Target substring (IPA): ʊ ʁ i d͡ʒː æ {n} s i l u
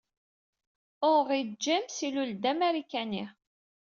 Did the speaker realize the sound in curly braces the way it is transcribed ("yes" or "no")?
no